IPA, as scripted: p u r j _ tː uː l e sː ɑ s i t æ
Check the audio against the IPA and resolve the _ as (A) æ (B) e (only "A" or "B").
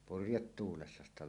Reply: B